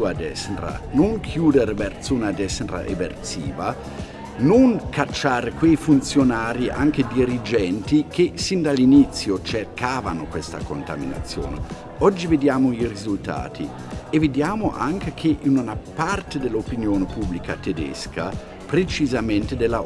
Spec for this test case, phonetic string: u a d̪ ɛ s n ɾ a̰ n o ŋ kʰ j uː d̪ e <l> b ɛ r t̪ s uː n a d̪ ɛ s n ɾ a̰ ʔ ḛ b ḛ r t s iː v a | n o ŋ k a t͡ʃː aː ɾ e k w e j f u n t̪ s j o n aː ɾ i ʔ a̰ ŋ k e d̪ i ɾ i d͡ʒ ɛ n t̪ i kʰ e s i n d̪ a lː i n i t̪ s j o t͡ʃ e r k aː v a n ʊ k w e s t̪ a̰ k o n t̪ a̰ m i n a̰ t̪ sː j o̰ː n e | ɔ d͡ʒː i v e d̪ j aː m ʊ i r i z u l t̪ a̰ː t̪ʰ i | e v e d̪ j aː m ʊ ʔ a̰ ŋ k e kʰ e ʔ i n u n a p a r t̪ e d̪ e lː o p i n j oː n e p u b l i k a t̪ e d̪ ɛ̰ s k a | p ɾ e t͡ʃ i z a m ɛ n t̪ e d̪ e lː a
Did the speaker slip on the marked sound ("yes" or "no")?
yes